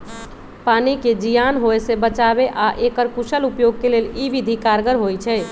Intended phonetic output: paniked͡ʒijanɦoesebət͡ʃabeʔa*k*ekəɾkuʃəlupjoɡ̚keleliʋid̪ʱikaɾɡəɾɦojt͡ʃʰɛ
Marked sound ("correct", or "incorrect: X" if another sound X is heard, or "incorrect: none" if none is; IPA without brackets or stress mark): incorrect: ʔ